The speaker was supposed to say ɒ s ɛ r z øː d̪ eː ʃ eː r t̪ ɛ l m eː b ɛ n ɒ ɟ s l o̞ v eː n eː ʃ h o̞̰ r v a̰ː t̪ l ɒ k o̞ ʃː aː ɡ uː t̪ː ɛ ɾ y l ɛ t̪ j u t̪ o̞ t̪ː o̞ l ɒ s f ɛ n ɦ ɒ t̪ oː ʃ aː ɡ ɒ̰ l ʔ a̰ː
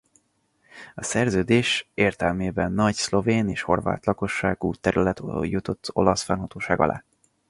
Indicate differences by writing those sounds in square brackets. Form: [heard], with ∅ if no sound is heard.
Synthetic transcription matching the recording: ɒ s ɛ r z øː d̪ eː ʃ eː r t̪ ɛ l m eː b ɛ [nː] ɒ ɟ s l o̞ v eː n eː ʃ h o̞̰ r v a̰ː t̪ l ɒ k o̞ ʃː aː ɡ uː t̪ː ɛ ɾ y l ɛ t̪ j u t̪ o̞ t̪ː o̞ l ɒ s f ɛ n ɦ ɒ t̪ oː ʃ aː ɡ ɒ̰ l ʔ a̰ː